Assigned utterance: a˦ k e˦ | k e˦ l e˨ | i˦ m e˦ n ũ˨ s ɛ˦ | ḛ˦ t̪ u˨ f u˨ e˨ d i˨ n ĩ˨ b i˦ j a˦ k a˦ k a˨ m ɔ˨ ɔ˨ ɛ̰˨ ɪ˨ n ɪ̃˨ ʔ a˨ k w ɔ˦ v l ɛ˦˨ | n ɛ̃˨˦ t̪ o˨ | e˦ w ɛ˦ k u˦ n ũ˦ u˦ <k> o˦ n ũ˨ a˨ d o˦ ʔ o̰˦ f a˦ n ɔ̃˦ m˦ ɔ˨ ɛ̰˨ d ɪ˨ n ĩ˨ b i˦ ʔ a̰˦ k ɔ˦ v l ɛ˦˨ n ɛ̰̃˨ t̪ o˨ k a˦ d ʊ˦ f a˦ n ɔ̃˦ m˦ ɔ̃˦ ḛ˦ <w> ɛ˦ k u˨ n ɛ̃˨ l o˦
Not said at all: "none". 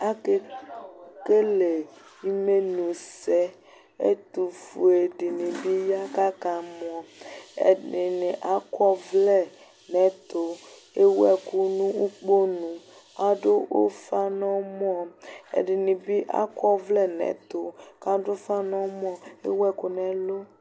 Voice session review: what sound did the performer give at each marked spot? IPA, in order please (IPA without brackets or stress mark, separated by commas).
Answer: k͡p, w